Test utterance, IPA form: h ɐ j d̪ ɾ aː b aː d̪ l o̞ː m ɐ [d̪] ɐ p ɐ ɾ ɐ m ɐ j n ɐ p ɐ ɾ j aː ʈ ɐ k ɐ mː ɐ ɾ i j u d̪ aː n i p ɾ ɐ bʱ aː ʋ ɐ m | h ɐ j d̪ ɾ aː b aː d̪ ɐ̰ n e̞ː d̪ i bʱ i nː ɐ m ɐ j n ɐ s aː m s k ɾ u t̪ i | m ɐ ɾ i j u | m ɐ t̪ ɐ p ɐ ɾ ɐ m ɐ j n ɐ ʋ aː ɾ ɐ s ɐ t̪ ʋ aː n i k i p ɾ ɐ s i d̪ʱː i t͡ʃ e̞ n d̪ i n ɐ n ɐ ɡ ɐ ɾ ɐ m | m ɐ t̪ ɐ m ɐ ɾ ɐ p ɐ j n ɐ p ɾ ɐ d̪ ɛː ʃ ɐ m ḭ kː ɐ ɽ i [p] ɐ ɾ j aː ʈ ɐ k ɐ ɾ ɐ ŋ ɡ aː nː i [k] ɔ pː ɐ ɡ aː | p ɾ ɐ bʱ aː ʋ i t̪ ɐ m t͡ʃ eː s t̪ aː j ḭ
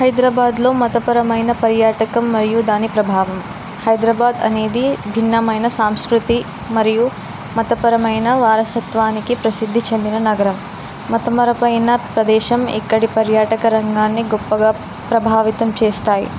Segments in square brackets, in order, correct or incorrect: incorrect, correct, incorrect

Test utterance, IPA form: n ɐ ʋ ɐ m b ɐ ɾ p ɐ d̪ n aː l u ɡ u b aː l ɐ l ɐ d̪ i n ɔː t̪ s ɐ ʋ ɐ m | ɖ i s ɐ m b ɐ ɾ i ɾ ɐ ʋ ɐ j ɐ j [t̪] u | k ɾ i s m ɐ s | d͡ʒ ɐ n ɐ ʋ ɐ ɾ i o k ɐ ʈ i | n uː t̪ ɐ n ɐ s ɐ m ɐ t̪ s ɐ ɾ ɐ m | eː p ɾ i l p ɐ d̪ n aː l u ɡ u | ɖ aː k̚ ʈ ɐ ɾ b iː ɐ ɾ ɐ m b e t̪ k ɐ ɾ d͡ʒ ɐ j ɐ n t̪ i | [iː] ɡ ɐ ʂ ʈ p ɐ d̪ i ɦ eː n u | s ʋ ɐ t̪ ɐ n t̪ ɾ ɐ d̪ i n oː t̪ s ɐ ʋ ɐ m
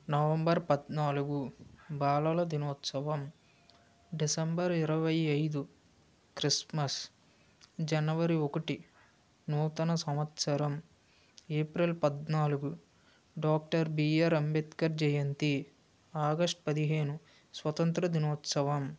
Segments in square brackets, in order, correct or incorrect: incorrect, incorrect

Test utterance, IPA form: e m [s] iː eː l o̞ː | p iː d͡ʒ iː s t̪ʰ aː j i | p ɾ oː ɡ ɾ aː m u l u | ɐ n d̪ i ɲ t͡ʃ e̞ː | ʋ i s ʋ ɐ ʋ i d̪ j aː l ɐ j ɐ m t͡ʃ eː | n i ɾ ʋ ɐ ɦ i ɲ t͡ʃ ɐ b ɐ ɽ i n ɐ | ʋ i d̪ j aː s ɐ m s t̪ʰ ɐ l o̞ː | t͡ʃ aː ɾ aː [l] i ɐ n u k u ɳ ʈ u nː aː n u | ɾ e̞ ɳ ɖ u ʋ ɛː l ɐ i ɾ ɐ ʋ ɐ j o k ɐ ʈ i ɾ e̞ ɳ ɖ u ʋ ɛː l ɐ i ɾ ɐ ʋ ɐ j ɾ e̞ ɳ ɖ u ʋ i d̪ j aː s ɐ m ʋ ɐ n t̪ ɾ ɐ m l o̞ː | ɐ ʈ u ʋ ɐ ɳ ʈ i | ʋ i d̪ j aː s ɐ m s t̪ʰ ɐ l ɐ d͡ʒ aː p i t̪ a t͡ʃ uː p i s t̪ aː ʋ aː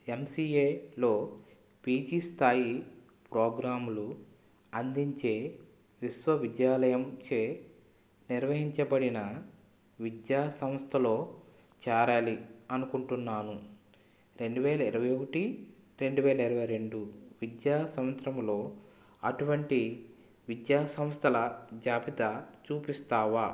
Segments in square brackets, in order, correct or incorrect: correct, correct

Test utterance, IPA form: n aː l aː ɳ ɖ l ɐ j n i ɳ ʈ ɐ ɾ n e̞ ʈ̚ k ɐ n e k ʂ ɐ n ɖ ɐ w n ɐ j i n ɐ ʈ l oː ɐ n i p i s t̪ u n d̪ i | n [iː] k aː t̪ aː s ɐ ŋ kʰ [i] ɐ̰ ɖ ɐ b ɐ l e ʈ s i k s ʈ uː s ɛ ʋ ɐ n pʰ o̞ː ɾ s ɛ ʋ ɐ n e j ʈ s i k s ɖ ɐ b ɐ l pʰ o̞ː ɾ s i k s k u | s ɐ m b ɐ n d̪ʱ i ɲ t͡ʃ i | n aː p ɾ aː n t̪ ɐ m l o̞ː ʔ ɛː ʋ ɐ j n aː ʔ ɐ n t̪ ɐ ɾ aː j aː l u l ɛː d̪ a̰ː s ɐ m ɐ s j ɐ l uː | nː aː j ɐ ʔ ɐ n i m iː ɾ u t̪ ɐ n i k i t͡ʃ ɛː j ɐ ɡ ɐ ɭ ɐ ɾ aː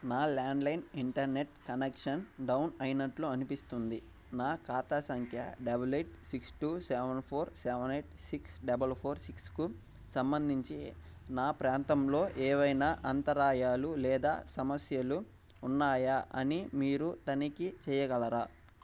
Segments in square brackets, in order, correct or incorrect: incorrect, incorrect

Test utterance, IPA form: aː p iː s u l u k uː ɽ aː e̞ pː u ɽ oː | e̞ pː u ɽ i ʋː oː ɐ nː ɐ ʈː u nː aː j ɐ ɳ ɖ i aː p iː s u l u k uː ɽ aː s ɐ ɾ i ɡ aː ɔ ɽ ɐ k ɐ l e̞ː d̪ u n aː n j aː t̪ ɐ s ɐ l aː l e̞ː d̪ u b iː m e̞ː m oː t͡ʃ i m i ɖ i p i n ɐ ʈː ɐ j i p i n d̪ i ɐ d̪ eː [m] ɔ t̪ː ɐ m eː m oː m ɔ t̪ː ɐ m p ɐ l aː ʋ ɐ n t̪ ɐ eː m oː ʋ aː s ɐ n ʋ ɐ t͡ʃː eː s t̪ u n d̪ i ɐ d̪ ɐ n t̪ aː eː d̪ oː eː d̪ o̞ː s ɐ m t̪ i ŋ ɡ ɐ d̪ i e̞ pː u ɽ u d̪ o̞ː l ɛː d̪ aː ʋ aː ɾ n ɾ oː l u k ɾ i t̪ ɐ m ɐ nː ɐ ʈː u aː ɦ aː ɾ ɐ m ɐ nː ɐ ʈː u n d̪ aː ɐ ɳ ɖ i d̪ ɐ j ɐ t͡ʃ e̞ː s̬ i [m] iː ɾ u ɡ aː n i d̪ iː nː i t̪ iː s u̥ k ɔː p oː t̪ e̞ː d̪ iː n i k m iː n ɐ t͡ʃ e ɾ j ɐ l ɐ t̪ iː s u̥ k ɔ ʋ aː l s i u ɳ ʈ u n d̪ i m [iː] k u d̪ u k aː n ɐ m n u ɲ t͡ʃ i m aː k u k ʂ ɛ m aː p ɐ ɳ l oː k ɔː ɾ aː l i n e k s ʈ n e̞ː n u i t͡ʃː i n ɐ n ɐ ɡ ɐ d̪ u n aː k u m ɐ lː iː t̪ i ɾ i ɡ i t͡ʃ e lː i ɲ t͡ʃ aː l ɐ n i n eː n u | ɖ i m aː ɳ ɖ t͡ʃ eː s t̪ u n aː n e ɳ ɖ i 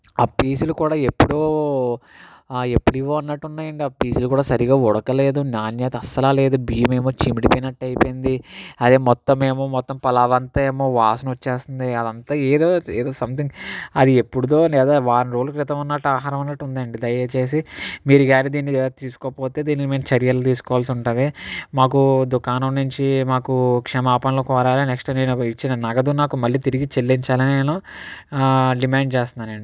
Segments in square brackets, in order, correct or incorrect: correct, correct, incorrect

